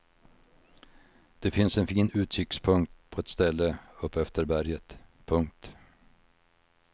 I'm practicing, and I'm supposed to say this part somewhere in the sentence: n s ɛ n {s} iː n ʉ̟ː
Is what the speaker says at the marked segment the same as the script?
no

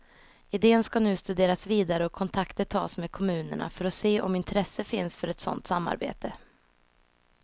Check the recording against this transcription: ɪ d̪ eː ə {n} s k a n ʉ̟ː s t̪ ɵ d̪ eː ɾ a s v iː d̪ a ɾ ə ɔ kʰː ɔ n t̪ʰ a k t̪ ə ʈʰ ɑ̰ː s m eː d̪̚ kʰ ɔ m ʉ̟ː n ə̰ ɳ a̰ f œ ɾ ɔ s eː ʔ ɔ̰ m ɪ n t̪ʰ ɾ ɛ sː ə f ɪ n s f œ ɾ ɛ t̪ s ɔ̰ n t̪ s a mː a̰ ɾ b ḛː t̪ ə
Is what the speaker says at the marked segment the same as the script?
yes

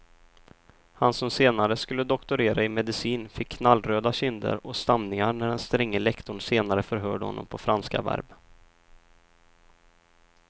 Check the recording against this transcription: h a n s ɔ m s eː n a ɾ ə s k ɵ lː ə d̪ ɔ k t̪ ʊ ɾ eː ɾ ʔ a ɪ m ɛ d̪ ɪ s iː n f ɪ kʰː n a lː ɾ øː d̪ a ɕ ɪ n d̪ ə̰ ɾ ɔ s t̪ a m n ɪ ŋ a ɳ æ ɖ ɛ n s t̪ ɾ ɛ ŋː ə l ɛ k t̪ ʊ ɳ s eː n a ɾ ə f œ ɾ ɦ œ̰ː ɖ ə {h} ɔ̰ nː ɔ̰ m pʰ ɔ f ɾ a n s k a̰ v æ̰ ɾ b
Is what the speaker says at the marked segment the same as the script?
yes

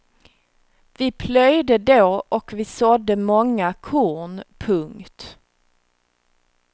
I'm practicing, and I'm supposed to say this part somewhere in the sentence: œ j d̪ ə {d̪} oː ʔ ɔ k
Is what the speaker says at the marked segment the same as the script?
yes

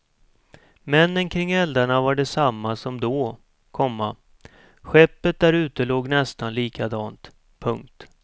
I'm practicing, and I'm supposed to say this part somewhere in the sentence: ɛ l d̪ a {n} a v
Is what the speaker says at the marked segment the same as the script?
no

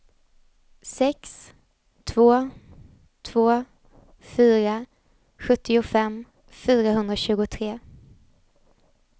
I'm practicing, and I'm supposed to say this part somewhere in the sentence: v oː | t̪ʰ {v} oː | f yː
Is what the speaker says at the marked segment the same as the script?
yes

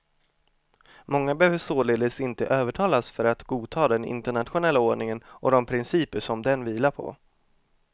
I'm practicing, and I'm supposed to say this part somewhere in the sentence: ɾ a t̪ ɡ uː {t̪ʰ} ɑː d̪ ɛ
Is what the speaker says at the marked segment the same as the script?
yes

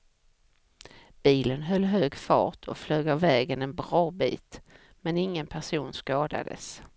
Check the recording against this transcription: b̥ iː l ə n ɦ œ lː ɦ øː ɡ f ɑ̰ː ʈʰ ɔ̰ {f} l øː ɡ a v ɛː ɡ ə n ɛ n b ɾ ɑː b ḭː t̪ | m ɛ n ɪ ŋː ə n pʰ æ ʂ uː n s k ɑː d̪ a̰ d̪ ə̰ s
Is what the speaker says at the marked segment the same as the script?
yes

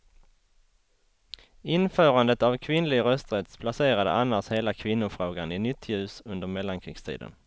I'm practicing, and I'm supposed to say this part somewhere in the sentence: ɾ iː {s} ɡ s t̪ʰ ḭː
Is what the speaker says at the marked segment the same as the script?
no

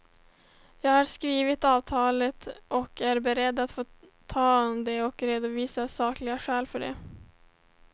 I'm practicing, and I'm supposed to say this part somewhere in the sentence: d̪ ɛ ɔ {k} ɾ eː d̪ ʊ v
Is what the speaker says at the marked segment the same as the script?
yes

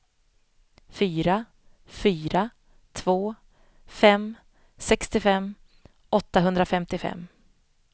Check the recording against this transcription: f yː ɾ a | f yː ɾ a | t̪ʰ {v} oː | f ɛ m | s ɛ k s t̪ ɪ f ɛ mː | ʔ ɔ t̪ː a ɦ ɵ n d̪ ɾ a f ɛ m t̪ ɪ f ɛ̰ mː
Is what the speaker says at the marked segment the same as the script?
yes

